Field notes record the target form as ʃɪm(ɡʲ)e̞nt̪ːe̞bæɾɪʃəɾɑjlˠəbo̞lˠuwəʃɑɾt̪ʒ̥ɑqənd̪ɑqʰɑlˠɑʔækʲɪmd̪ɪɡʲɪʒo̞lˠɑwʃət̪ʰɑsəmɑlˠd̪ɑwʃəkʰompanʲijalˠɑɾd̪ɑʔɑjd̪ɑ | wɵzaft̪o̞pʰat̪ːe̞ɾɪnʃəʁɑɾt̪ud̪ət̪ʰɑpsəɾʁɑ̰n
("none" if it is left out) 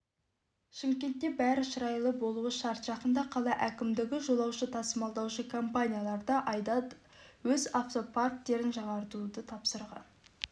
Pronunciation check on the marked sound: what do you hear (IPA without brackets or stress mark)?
kʲ